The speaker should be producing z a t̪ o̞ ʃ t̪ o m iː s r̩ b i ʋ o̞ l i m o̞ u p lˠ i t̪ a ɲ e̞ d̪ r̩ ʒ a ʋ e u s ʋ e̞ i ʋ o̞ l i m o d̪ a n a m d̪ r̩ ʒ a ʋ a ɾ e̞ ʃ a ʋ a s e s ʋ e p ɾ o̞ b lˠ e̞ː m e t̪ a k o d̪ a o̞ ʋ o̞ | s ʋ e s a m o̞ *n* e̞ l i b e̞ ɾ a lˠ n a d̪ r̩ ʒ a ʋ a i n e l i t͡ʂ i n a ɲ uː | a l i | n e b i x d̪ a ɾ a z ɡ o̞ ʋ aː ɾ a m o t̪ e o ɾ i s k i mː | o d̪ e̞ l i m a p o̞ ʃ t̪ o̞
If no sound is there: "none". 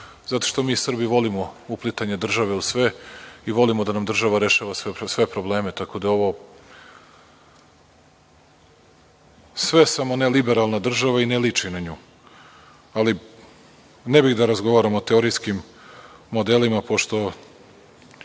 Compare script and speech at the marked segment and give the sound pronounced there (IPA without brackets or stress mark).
n